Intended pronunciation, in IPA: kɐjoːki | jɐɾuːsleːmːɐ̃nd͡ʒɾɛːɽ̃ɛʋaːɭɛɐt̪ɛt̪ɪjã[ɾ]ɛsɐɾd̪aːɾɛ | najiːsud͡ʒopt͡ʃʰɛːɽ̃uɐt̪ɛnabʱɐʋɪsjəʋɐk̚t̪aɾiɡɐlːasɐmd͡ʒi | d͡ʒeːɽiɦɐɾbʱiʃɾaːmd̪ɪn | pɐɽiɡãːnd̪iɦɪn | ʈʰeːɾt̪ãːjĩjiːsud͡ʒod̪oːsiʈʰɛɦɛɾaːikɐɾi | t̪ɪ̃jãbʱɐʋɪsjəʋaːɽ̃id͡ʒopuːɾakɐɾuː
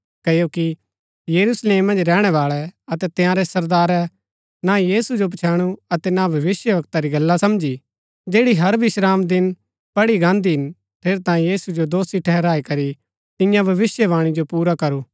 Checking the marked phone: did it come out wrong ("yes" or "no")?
no